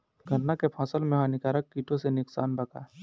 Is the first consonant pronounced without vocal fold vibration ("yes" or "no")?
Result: no